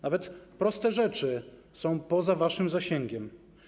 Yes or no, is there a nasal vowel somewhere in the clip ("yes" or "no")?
yes